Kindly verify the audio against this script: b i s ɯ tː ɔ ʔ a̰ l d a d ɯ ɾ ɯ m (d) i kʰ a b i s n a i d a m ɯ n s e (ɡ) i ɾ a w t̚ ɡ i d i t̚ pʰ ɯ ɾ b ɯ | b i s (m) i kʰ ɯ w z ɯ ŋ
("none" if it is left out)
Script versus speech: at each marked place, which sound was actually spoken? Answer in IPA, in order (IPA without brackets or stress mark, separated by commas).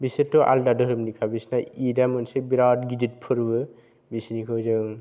n, b, n